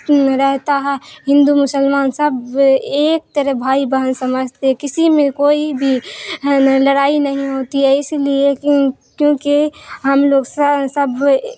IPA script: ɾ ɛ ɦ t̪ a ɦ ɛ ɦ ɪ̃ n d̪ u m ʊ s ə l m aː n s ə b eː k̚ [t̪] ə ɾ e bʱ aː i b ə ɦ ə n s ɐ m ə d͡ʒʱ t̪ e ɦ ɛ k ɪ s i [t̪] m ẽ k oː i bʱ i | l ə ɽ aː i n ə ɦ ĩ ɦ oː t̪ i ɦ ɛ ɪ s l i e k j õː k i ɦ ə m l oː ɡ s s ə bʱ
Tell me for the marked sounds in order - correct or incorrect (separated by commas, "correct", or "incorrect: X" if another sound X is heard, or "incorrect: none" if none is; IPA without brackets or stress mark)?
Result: correct, incorrect: none